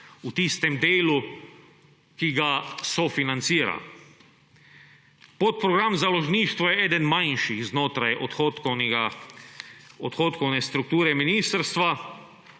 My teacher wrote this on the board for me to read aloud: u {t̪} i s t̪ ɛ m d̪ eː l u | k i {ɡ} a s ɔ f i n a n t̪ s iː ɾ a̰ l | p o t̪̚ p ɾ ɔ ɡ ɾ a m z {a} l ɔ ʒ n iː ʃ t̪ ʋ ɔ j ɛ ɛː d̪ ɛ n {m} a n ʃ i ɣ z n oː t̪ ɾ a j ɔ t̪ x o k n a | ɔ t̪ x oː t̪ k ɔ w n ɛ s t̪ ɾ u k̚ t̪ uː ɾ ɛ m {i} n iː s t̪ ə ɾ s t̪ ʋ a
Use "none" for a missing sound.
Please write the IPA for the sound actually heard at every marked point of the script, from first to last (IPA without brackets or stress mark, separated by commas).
t̪, ɡ, a, m, i